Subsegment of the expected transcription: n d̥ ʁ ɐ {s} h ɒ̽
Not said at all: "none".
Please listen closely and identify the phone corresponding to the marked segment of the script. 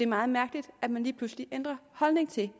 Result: none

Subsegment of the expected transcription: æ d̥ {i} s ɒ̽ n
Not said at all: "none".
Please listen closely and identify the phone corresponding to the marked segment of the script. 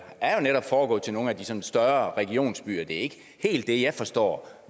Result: i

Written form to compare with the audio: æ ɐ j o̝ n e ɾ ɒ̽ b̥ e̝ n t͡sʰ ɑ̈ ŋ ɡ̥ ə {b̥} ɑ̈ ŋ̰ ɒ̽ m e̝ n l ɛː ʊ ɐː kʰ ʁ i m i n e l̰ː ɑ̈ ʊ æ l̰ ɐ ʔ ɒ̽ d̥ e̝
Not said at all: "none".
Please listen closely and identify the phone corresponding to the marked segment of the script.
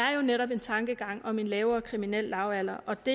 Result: ɡ̥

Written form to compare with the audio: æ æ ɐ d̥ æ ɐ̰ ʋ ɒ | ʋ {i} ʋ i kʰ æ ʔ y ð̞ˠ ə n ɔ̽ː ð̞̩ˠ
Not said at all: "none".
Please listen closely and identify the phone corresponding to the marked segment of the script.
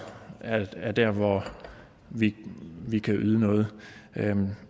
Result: i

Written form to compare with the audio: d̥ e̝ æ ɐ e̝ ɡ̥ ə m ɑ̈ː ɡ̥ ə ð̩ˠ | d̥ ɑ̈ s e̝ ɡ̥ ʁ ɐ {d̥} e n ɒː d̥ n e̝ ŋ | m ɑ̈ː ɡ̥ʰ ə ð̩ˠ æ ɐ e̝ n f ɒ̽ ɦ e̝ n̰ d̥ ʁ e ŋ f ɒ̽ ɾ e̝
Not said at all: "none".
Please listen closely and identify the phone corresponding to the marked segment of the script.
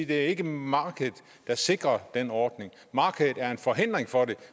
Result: d̥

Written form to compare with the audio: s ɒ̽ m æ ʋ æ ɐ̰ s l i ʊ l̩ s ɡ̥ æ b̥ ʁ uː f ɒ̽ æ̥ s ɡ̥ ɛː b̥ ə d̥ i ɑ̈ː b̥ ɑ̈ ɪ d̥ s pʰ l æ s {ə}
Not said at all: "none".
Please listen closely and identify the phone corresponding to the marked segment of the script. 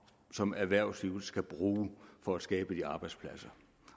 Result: ɐ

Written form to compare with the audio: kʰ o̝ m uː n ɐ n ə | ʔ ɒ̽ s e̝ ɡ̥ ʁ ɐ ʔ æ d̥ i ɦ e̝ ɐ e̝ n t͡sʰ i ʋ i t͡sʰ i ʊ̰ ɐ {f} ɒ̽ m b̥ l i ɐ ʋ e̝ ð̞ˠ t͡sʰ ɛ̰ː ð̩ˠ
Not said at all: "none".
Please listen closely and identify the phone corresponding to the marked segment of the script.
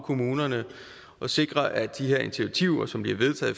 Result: s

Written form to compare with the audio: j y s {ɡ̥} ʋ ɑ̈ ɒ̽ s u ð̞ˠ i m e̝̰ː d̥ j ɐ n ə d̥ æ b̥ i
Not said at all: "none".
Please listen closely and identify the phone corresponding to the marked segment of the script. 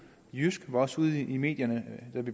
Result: ɡ̥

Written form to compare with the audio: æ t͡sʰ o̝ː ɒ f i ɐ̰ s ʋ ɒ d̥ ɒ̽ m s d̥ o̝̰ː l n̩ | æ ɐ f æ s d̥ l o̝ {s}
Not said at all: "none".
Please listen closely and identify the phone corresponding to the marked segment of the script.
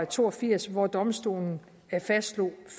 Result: f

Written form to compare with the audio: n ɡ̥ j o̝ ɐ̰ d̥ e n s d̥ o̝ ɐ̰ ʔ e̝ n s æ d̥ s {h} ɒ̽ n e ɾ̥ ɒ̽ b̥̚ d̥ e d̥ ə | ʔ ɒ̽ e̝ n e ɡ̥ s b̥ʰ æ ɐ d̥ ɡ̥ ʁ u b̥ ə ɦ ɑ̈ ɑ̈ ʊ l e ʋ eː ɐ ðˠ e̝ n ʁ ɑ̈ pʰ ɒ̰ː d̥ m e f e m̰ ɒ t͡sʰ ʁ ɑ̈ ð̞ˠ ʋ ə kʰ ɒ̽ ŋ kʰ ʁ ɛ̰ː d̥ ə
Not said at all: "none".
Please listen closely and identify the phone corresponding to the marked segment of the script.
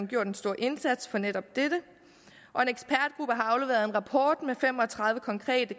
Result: f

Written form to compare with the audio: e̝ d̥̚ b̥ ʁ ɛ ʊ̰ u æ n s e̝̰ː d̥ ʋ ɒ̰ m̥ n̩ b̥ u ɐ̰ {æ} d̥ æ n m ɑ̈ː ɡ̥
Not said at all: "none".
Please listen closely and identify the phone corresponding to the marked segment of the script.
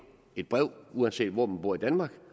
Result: i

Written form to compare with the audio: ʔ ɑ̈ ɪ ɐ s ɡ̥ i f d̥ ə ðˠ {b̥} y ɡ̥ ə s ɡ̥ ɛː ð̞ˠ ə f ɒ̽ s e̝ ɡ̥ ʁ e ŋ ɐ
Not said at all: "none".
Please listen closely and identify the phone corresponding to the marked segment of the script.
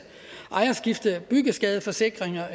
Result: b̥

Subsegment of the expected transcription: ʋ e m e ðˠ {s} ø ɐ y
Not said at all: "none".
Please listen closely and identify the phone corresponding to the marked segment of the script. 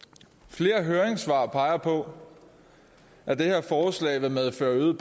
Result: f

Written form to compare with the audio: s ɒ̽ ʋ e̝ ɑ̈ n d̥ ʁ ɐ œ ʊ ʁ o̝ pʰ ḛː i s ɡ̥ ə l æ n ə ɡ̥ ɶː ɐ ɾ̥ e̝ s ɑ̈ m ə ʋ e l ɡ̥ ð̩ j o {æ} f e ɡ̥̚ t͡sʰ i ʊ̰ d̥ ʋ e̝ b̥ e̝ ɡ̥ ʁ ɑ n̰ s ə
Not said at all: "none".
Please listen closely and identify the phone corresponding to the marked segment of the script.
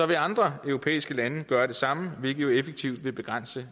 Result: e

